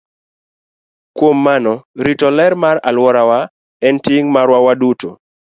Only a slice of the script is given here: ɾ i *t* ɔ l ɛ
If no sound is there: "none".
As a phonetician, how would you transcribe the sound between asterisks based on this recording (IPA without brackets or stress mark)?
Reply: t